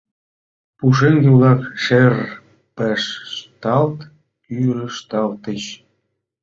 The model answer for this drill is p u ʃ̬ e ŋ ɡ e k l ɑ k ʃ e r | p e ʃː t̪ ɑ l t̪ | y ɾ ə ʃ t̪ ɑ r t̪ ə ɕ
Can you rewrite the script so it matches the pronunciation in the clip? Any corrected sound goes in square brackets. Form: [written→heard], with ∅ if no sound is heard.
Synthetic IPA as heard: p u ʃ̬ e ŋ ɡ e [k→∅] l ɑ k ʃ e r | p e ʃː t̪ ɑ l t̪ | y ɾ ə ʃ t̪ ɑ [r→l] t̪ ə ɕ